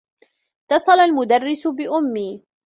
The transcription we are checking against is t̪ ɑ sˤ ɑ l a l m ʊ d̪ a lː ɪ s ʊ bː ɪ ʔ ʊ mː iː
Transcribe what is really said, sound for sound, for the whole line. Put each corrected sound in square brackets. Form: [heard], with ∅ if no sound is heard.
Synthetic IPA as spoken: t̪ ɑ sˤ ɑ l a l m ʊ d̪ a [rː] ɪ s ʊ [b] ɪ ʔ ʊ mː iː